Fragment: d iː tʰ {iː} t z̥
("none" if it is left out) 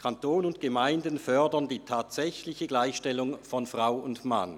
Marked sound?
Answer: aː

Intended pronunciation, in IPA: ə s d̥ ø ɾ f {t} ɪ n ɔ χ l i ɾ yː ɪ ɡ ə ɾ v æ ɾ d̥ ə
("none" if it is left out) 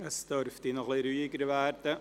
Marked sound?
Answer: t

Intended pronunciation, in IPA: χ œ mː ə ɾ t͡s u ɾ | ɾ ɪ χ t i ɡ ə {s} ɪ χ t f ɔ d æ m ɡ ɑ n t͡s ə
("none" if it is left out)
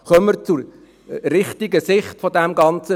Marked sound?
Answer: s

